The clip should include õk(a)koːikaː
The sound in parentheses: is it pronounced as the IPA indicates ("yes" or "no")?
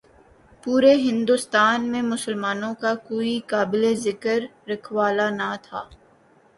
yes